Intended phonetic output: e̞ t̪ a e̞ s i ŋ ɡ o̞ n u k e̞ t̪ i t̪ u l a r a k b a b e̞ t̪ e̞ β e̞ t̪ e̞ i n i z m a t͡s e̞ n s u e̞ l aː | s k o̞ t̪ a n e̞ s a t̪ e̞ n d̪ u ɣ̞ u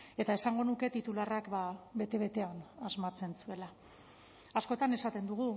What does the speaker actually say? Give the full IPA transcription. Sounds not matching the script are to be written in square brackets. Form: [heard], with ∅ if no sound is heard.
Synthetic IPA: e̞ t̪ a e̞ s [a] ŋ ɡ o̞ n u k e̞ t̪ i t̪ u l a r a k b a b e̞ t̪ e̞ β e̞ t̪ e̞ [a] n [a] z m a t͡s e̞ n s u e̞ l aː | s k o̞ t̪ a n e̞ s a t̪ e̞ n d̪ u ɣ̞ u